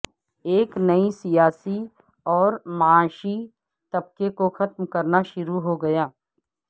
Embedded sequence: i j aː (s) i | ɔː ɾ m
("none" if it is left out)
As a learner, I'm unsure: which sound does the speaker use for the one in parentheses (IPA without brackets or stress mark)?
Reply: s